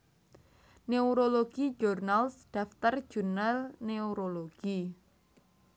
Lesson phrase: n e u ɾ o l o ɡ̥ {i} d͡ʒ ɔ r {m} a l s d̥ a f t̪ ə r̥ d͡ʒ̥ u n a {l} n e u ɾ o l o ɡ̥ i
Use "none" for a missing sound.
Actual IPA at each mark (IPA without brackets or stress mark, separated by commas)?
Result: i, n, l